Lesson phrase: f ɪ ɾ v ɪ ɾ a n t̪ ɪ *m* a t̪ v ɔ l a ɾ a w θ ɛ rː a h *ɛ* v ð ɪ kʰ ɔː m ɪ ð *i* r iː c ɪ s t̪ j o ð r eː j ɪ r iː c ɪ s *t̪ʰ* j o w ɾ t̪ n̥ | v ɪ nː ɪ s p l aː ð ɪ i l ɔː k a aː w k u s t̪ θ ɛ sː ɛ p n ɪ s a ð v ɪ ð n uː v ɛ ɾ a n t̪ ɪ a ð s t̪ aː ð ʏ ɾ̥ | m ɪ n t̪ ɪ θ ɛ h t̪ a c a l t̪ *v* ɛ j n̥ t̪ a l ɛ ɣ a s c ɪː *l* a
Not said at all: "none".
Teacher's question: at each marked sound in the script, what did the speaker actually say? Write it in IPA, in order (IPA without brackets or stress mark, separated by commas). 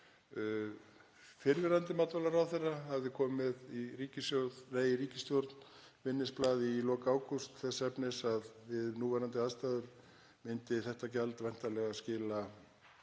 m, a, i, t̪, v, l